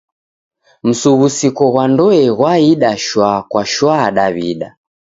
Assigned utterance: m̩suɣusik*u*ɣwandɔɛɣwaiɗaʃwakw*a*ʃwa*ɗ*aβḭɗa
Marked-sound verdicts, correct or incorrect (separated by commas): incorrect, correct, correct